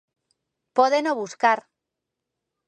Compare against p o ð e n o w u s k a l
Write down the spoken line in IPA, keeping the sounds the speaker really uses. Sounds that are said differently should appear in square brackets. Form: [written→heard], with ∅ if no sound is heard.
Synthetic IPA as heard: p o ð e n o [w→β] u s k a [l→ɾ]